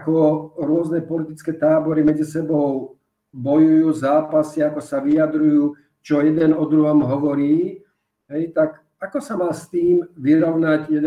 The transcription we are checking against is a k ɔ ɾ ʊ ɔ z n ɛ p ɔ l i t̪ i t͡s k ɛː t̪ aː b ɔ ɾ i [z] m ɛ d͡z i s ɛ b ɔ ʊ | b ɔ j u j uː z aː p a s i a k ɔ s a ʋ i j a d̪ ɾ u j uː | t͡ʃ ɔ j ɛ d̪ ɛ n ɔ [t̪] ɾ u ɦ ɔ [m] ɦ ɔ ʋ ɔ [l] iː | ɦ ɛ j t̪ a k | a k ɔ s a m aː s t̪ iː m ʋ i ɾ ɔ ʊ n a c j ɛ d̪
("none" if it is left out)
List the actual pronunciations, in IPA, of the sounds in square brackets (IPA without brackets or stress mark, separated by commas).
none, d̪, m, ɾ